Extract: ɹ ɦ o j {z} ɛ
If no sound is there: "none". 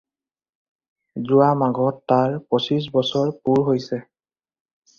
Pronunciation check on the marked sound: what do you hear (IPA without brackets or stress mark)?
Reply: s